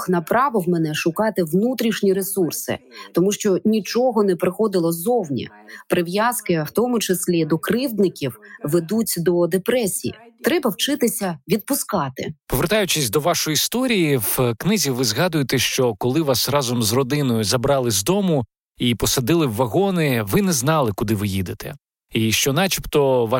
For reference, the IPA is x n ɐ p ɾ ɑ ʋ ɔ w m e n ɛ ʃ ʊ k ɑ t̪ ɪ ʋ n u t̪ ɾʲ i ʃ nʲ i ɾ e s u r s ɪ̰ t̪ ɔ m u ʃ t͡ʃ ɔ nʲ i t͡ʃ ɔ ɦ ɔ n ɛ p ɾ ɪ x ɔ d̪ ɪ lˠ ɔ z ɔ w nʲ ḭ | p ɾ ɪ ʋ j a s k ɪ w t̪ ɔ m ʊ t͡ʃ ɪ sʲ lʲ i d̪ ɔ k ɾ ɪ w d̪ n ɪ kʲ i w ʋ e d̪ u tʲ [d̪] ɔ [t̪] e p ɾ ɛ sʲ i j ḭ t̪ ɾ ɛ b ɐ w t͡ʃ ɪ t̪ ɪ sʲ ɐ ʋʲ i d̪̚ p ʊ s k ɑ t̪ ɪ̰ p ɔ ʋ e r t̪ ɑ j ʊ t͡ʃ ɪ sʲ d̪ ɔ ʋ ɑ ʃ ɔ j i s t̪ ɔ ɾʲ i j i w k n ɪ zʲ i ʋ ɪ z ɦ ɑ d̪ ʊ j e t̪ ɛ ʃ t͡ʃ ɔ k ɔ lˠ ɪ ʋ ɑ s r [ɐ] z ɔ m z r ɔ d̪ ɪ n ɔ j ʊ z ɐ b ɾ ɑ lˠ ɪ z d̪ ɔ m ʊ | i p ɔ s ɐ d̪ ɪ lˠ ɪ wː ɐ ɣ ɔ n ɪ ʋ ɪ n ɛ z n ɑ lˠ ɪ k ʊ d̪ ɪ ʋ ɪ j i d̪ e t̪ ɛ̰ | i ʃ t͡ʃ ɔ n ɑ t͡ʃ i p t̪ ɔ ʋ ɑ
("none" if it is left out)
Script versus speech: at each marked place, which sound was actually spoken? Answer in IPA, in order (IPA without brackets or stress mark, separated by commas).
d̪, d̪, ɑ